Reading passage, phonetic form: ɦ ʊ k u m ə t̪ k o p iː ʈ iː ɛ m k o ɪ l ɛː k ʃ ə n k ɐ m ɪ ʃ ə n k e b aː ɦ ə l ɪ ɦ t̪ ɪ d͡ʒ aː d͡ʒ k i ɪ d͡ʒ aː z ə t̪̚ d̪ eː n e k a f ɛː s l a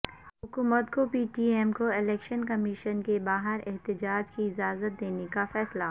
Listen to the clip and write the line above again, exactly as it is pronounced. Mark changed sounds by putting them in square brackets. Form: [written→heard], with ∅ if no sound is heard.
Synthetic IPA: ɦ ʊ k [u→uː] m ə t̪ k o p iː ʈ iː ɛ m k o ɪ l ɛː k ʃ ə n k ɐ m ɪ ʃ ə n k e b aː ɦ ə [l→ɾ] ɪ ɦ t̪ ɪ d͡ʒ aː d͡ʒ k i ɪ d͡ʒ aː z ə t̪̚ d̪ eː n e k a f ɛː s l a